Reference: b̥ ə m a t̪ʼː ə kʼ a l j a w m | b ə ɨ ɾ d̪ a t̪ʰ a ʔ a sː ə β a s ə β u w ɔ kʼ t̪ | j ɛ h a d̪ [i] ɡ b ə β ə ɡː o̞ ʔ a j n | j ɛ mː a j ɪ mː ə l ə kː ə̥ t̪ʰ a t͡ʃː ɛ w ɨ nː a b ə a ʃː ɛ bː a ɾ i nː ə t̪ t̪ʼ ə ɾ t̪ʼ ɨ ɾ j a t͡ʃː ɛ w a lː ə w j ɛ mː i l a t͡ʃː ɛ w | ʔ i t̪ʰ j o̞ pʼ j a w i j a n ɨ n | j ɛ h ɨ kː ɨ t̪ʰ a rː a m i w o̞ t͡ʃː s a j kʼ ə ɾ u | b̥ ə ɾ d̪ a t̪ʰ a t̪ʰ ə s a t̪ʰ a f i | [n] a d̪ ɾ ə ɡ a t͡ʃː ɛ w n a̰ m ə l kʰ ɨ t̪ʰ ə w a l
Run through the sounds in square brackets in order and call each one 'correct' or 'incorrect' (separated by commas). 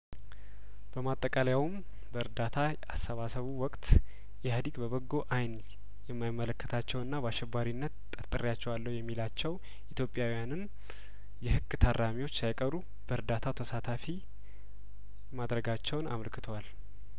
correct, incorrect